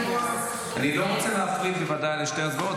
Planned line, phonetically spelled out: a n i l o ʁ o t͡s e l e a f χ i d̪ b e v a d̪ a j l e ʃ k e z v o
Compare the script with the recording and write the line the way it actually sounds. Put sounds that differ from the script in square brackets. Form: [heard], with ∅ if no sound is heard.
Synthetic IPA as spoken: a n i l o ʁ o t͡s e l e a f [ʁ] i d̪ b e v a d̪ a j l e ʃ [t] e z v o